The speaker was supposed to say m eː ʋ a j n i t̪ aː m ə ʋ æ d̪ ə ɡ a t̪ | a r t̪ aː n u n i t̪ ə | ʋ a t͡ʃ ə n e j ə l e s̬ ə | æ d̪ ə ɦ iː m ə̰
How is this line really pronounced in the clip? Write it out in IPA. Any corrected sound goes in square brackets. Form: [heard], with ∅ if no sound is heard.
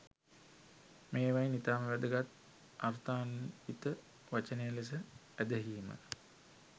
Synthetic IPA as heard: m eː ʋ a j n i t̪ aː m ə ʋ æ d̪ ə ɡ a t̪ | a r t̪ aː n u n i t̪ ə | ʋ a t͡ʃ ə n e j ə l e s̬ ə | æ d̪ ə ɦ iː m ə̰